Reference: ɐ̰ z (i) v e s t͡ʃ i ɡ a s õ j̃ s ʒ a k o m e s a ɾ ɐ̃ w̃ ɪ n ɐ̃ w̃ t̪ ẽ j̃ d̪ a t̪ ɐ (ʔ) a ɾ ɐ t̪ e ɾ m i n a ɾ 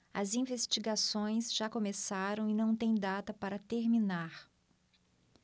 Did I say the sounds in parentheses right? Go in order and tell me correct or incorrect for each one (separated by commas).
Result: incorrect, incorrect